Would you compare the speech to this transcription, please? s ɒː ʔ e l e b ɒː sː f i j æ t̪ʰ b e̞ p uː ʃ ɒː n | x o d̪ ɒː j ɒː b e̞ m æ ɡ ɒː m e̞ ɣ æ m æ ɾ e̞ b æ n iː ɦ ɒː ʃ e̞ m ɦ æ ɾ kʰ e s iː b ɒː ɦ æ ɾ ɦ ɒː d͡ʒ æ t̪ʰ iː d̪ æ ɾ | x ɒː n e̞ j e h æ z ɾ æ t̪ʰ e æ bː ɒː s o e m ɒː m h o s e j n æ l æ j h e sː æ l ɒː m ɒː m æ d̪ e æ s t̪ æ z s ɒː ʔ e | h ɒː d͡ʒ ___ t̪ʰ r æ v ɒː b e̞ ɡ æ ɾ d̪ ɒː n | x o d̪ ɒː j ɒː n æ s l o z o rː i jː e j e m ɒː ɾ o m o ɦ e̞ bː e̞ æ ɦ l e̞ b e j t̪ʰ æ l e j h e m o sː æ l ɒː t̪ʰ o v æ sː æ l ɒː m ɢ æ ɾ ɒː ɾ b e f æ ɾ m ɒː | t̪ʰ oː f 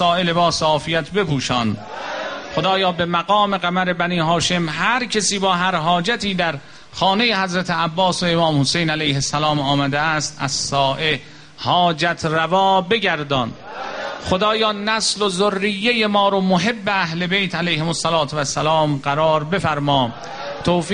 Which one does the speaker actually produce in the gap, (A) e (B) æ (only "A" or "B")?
B